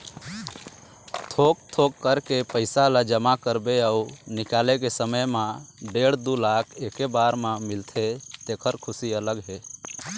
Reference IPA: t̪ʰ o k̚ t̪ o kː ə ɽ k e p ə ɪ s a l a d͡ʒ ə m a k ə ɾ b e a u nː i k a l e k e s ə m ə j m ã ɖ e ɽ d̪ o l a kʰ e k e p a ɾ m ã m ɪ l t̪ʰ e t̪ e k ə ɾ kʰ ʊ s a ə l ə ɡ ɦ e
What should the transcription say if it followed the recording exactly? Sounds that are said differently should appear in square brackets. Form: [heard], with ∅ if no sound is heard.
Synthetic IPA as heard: t̪ʰ o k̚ [t̪ʰ] o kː ə [ɾ] k e p ə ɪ s a l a d͡ʒ ə m a k ə ɾ b e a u [n] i k a l e k e s ə m ə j m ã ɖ e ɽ d̪ [u] l a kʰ e k e [b] a ɾ m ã m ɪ l t̪ʰ e t̪ e [kʰ] ə ɾ kʰ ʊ s [i] ə l ə ɡ ɦ e